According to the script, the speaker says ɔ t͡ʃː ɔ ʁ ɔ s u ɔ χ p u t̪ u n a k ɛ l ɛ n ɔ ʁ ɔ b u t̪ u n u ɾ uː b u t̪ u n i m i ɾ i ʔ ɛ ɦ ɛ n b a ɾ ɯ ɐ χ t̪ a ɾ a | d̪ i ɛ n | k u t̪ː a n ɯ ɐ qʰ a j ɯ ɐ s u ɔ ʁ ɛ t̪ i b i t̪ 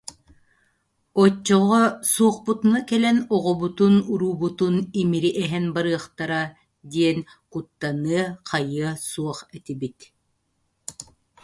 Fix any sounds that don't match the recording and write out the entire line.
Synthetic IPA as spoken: ɔ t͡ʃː ɔ ʁ ɔ s u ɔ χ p u t̪ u n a k ɛ l ɛ n ɔ ʁ ɔ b u t̪ u n u ɾ uː b u t̪ u n i m i ɾ i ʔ ɛ ɦ ɛ n b a ɾ ɯ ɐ χ t̪ a ɾ a | d̪ i ɛ n | k u t̪ː a n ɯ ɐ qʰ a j ɯ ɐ s u ɔ χ ɛ t̪ i b i t̪